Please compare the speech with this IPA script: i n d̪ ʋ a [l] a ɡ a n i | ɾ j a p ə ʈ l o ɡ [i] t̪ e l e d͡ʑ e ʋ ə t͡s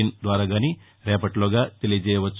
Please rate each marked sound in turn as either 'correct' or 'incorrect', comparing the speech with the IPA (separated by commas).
incorrect, incorrect